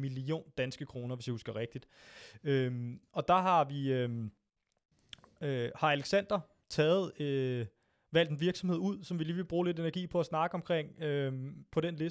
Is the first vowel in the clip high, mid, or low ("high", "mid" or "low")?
high